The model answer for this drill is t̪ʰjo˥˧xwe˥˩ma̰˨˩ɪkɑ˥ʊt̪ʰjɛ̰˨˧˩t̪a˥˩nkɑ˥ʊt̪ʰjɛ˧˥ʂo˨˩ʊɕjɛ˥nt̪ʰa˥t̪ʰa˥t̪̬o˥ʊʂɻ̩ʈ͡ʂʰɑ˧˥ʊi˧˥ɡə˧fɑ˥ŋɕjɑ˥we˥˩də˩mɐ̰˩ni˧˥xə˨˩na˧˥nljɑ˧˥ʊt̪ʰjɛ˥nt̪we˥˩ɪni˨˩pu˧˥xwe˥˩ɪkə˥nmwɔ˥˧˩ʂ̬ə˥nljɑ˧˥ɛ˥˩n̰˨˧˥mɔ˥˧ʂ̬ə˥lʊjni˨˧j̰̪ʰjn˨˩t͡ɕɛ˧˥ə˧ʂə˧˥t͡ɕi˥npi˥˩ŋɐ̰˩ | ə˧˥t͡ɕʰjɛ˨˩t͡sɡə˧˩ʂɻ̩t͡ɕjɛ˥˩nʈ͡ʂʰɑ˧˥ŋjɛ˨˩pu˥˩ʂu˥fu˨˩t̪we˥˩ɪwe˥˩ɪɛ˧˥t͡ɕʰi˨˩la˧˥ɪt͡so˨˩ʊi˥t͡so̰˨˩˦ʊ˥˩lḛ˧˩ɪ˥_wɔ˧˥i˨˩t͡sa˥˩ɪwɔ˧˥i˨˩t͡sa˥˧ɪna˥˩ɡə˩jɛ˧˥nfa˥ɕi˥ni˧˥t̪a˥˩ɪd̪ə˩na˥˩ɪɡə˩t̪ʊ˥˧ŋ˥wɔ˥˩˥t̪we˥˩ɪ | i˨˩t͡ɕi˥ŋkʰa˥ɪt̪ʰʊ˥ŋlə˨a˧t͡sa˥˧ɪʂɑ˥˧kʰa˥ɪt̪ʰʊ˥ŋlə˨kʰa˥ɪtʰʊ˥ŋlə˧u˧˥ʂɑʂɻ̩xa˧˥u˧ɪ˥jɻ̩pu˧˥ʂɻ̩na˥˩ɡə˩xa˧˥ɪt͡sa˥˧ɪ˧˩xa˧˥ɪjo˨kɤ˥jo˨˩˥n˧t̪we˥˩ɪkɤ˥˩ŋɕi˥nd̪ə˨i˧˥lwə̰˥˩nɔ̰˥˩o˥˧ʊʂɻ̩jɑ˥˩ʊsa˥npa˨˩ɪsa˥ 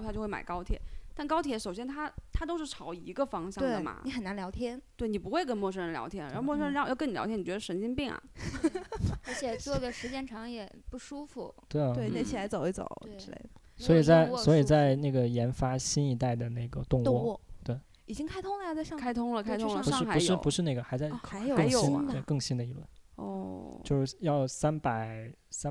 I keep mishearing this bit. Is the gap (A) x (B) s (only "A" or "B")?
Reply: B